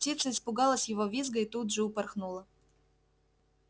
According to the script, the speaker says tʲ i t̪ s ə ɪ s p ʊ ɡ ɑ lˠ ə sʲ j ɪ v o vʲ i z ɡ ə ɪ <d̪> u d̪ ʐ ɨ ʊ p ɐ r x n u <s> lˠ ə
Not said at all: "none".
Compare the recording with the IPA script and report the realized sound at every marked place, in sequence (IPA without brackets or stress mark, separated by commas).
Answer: t̪, none